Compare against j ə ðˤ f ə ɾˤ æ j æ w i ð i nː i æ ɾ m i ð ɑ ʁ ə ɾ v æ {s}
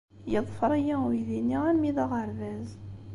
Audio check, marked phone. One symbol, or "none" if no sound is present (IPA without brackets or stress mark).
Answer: z